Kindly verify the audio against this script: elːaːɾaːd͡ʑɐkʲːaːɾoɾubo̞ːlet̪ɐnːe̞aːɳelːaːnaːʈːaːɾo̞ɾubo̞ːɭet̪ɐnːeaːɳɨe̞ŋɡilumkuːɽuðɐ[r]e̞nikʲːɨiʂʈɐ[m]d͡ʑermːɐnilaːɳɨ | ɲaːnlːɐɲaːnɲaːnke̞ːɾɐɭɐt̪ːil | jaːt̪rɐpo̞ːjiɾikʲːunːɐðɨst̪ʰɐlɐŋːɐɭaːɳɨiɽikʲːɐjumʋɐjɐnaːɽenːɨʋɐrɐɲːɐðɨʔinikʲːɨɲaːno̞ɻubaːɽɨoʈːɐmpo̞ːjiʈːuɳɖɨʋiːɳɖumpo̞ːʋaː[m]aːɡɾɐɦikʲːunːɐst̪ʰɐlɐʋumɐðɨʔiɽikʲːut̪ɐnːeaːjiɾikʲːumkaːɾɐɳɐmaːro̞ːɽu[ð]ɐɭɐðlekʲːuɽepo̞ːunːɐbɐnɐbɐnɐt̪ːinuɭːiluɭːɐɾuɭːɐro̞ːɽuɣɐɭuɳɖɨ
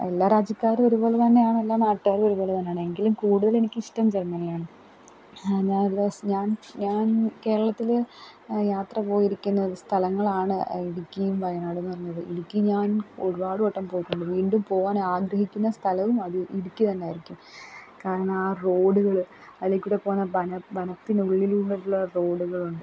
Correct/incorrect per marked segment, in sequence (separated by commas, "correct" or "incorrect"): incorrect, correct, incorrect, incorrect